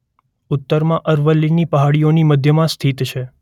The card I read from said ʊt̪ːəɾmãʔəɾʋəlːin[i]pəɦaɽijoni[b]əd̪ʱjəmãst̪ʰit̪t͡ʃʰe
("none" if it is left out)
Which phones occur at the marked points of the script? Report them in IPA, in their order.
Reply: i, m

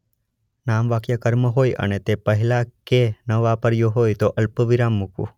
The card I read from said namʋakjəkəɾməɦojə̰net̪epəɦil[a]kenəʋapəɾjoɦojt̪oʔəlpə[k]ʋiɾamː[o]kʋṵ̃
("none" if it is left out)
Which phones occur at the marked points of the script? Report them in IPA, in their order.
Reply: a, none, u

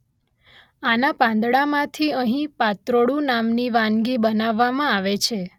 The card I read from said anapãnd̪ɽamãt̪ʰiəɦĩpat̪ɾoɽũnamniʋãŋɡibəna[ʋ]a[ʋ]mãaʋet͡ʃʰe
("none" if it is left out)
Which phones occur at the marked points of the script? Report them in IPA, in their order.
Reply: ʋː, ʋ

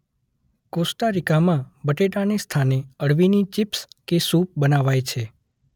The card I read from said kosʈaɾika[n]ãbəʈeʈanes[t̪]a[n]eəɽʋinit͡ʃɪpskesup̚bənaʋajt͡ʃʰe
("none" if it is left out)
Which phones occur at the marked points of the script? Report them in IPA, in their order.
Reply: m, t̪ʰ, n

